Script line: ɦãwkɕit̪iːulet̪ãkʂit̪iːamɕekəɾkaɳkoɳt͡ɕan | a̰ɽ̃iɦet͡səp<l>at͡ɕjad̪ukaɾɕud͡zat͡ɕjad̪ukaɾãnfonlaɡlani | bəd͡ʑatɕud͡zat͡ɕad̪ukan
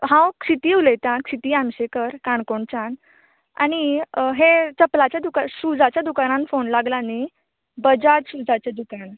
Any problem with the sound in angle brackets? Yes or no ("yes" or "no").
no